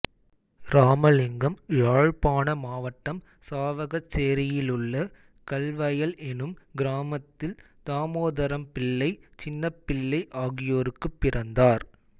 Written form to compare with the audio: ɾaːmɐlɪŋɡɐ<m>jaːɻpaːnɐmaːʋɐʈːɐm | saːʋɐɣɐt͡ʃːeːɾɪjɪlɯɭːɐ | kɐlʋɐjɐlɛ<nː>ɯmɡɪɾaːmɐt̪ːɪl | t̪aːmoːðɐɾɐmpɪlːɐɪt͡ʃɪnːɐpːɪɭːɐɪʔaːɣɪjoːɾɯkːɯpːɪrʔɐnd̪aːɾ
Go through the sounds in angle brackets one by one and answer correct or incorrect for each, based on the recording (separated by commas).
correct, incorrect